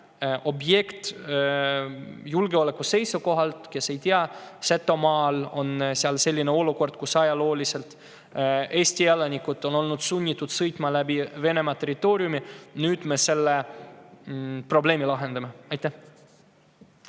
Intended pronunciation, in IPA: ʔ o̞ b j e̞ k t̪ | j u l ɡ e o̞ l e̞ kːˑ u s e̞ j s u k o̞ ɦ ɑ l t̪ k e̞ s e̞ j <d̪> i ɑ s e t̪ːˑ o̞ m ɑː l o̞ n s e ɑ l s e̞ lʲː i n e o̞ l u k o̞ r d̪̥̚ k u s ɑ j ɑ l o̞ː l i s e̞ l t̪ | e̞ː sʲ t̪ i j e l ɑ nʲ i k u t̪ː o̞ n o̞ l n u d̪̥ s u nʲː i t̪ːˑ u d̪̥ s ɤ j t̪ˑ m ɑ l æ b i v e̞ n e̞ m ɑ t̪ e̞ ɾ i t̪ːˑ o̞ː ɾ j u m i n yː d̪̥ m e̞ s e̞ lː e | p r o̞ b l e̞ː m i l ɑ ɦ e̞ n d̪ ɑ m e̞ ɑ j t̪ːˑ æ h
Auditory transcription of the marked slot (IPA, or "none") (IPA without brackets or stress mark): t̪